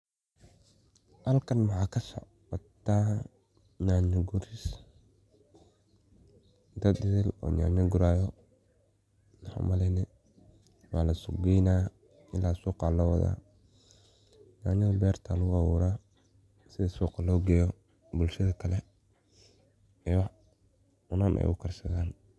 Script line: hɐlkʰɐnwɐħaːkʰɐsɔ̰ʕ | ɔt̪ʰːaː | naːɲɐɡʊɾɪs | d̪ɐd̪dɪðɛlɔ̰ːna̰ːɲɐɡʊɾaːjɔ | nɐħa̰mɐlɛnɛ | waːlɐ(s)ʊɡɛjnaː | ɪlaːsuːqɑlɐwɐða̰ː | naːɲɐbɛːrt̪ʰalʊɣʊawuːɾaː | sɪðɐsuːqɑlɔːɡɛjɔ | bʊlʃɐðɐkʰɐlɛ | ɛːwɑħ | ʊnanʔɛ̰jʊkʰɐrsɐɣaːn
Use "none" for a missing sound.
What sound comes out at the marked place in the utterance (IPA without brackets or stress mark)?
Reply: s